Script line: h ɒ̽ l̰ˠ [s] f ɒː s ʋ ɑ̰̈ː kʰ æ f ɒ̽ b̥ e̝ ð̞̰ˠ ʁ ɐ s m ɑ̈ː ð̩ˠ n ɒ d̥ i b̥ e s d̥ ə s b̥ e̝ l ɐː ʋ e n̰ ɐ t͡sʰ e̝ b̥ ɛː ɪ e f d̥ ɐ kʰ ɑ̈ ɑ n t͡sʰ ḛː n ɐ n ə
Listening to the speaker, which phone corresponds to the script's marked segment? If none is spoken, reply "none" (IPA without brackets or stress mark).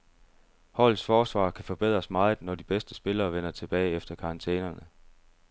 s